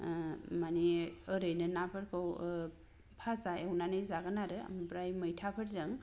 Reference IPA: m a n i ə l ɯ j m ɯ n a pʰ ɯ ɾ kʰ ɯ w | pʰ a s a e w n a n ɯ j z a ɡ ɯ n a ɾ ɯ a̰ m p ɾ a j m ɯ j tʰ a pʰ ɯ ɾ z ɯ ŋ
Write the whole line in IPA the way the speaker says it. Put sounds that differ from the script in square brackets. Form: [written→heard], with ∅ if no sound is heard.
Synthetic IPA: m a n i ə [l→ɾ] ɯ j [m→n] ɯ n a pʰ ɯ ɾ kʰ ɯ w | pʰ a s a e w n a n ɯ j z a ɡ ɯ n a ɾ ɯ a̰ m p ɾ a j m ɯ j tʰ a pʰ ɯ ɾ z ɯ ŋ